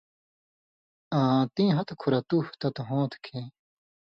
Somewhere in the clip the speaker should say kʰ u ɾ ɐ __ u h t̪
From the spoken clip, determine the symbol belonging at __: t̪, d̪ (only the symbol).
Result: t̪